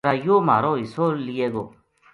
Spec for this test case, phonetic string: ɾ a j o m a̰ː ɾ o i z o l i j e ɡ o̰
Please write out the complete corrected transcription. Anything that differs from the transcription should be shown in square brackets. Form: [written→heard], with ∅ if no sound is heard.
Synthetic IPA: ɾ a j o m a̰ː ɾ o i [z→s] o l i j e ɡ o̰